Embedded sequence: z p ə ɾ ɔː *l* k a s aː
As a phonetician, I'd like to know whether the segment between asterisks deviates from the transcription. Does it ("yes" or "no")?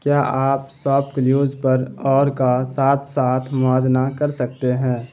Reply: yes